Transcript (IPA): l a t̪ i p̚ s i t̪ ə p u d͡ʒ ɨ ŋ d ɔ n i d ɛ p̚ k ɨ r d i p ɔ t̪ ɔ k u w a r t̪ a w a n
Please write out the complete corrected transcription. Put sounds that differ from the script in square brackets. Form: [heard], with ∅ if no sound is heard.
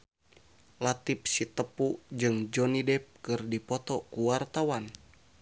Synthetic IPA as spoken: l a t̪ i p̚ s i t̪ ə p u d͡ʒ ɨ ŋ [d͡ʒ] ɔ n i d ɛ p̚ k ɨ r d i p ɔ t̪ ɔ k u w a r t̪ a w a n